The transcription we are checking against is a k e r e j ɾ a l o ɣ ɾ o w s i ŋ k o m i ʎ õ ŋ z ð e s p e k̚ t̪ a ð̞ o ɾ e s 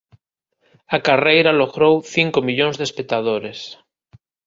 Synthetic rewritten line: a k a r e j ɾ a l o ɣ ɾ o w θ i ŋ k o m i ʎ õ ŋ z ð e s p e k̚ t̪ a ð̞ o ɾ e s